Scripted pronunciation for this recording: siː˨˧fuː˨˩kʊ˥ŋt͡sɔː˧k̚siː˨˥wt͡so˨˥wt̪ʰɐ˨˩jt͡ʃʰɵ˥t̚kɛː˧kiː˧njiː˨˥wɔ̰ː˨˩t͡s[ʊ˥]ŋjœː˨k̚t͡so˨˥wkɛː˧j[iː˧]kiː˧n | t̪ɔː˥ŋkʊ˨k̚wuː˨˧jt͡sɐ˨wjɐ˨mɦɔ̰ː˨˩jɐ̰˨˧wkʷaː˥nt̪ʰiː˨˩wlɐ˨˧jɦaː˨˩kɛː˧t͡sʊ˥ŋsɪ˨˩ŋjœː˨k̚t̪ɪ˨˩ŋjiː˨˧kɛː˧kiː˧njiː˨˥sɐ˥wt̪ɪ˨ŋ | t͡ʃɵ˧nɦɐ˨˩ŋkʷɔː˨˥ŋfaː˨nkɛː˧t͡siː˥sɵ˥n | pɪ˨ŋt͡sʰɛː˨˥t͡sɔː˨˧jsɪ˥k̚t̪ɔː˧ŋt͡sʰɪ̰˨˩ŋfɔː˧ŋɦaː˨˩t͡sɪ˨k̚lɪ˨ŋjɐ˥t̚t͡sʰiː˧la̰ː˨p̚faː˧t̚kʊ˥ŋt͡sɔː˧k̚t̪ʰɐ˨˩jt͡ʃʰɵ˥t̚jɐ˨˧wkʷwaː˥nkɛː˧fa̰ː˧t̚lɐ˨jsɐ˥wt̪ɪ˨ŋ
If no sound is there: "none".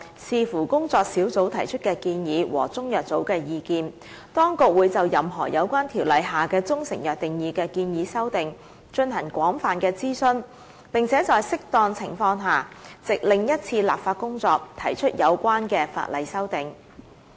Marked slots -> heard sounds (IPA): ʊ˥, iː˧

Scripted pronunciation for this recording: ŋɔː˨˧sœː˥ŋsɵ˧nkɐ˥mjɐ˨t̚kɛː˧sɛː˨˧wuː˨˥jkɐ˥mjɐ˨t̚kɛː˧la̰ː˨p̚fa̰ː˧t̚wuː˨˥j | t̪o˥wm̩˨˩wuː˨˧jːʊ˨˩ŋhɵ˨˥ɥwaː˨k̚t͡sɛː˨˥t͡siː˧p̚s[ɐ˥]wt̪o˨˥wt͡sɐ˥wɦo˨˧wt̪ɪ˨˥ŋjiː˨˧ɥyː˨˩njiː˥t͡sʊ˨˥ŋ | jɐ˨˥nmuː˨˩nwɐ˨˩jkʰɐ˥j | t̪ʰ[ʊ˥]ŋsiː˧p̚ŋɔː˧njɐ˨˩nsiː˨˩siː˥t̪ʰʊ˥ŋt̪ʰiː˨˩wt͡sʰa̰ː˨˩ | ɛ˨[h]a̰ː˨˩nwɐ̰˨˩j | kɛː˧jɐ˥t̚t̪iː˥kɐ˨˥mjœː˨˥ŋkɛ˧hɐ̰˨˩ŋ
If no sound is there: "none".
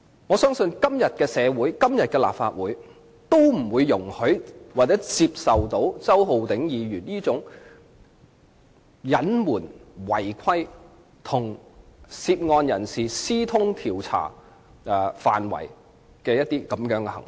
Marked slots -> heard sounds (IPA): ɐ˨˩, ʊ˨˩, f

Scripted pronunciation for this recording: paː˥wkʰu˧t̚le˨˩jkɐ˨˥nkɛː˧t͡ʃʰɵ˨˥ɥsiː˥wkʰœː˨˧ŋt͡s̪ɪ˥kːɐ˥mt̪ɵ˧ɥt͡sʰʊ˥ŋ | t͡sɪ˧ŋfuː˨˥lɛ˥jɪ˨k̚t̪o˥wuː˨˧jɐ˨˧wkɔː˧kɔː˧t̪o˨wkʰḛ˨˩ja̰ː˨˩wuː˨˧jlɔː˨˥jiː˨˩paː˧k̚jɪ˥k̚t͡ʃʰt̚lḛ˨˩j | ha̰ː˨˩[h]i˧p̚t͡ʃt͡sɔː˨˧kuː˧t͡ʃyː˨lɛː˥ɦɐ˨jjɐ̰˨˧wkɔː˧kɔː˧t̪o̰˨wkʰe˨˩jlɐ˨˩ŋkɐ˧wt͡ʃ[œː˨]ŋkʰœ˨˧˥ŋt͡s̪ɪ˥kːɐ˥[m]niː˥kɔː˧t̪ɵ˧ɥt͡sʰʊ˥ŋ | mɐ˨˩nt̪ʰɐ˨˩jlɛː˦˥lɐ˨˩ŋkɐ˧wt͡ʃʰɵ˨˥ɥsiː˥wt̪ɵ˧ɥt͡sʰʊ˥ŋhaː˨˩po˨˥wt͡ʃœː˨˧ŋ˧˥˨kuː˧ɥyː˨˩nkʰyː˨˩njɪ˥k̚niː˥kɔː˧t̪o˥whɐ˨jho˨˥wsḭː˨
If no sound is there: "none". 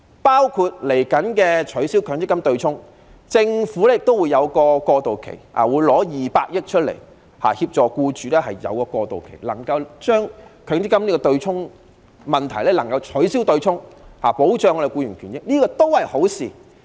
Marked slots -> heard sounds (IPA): h, œː˥, m

